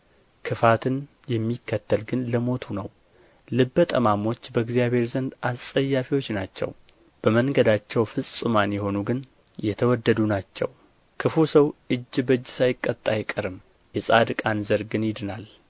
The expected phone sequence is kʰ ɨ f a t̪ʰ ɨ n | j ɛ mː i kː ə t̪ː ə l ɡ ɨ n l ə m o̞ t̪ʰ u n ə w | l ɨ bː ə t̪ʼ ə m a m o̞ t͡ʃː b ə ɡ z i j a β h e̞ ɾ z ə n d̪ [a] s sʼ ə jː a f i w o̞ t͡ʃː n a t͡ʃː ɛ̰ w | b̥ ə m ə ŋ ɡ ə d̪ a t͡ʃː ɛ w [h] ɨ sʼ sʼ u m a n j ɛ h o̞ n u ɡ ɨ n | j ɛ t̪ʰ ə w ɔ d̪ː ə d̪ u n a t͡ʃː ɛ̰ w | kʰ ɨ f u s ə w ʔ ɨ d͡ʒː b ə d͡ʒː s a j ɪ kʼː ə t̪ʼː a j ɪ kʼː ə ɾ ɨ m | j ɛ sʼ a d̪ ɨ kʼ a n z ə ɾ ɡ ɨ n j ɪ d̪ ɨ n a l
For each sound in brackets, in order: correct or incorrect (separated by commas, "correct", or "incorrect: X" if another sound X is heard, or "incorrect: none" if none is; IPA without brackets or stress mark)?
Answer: correct, incorrect: f